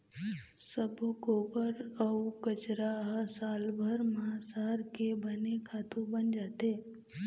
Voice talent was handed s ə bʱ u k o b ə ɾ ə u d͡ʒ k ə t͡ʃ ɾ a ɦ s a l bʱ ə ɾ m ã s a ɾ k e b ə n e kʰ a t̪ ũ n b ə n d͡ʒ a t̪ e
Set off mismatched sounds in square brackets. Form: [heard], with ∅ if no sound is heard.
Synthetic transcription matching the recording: s ə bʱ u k o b ə ɾ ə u [∅] k ə t͡ʃ ɾ a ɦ s a l bʱ ə ɾ m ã s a ɾ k e b ə n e kʰ a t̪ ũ [∅] b ə n d͡ʒ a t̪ e